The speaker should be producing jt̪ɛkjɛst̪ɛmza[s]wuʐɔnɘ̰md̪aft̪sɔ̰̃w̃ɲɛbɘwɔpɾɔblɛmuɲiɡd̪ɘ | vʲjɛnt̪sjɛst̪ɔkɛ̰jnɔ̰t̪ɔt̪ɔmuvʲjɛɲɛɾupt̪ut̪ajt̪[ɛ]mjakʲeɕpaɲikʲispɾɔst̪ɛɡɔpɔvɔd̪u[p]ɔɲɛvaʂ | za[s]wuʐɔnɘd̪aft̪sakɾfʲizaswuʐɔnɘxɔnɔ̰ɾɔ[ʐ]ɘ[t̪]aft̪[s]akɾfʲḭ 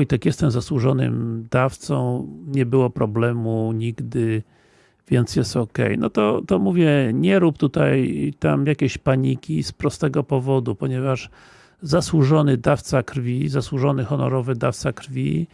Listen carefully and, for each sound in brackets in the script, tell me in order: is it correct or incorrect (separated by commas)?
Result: correct, incorrect, correct, correct, incorrect, incorrect, correct